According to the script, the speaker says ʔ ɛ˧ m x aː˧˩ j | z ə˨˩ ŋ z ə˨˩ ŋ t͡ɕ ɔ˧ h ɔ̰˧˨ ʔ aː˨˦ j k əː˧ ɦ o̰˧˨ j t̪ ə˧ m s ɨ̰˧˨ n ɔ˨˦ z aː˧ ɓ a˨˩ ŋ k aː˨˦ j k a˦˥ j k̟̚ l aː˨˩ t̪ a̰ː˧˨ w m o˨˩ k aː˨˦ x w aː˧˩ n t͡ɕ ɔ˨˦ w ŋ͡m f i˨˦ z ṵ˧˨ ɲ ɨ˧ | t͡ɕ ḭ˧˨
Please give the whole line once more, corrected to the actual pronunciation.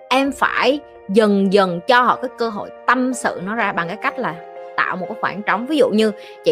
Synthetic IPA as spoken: ʔ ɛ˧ m f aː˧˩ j | z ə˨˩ ŋ z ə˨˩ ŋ t͡ɕ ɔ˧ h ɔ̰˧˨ k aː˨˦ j k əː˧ ɦ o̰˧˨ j t̪ ə˧ m s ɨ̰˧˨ n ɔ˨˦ z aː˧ ɓ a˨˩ ŋ k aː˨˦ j k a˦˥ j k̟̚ l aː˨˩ t̪ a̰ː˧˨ w m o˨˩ k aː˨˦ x w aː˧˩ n t͡ɕ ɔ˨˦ w ŋ͡m v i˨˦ z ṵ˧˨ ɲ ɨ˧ | t͡ɕ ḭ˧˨